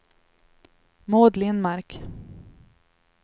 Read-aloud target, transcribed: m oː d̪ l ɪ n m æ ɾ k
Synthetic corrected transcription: m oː d̪ l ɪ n m a ɾ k